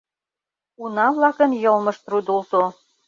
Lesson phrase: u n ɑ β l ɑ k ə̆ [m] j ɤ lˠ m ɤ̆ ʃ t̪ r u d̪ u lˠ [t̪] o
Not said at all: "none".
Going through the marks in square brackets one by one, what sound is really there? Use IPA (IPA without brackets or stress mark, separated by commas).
n, t̪